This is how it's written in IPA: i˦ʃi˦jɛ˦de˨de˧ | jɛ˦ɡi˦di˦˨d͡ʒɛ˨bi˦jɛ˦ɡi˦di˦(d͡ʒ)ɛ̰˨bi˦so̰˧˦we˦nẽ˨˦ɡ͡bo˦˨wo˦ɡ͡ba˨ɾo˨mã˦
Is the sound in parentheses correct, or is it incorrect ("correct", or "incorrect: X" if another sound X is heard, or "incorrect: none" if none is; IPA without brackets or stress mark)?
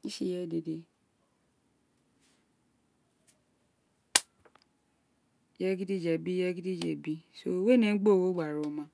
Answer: correct